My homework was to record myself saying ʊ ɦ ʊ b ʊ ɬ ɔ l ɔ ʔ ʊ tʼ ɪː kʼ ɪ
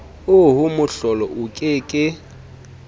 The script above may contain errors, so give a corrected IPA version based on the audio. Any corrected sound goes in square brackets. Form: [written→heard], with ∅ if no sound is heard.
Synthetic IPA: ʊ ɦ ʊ [b→m] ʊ ɬ ɔ l ɔ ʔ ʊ [tʼ→kʼ] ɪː kʼ ɪ